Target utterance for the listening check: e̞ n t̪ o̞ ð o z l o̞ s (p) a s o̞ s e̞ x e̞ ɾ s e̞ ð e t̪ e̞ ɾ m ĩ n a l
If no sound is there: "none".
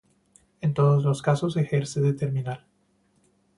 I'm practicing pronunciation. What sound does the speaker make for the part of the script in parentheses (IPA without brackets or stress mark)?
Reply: k